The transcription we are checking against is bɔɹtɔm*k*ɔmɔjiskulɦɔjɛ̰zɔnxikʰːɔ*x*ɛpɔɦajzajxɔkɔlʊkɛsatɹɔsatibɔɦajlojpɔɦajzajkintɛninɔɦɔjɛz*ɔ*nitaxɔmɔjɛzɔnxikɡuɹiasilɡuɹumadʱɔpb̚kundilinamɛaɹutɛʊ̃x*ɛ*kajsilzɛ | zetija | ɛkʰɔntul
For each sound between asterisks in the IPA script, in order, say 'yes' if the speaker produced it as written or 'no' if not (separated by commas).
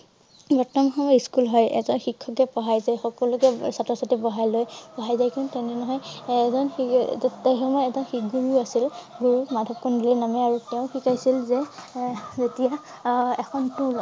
no, no, yes, no